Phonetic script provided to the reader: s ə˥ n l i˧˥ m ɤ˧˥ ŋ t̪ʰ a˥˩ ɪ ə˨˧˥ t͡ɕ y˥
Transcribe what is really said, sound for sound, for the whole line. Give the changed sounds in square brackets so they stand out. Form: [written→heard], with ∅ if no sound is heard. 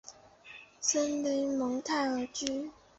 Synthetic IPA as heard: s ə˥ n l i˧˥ m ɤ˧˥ ŋ t̪ʰ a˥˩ ɪ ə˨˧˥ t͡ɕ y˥